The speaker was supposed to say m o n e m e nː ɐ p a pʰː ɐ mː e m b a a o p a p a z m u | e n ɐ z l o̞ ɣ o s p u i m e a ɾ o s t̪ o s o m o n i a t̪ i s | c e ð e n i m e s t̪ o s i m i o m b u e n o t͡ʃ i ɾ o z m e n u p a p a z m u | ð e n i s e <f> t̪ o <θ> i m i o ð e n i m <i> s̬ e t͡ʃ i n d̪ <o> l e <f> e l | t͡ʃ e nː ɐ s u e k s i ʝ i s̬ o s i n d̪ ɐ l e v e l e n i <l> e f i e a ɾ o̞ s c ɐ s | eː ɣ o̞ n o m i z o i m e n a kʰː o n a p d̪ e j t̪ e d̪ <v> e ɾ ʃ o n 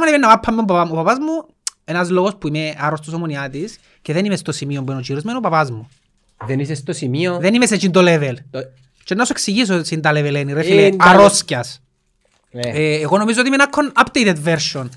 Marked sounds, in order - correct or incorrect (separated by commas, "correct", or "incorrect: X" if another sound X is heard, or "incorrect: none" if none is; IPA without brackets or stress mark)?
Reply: incorrect: s, incorrect: s, incorrect: e, correct, incorrect: v, incorrect: ɾ, correct